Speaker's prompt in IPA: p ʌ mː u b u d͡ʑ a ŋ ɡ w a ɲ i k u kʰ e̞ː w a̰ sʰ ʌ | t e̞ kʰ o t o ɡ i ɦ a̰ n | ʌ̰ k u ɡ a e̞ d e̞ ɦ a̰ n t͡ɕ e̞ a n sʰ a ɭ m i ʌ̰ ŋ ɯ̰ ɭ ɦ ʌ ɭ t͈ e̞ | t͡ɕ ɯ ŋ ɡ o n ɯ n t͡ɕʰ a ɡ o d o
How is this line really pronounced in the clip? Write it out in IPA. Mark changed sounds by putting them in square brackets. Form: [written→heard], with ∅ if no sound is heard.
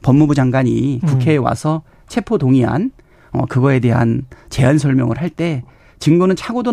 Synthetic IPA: p ʌ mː u b u d͡ʑ a ŋ ɡ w a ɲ i k u kʰ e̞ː w a̰ sʰ ʌ | [t→t͡ɕʰ] e̞ [kʰ→pʰ] o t o [ɡ→ŋ] i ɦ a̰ n | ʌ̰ k [u→ɯ] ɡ [a→ʌ] e̞ d e̞ ɦ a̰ n t͡ɕ e̞ a n sʰ [a→ʌ] ɭ m [i→j] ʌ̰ ŋ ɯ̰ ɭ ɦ [ʌ→a] ɭ t͈ e̞ | t͡ɕ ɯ ŋ ɡ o n ɯ n t͡ɕʰ a ɡ o d o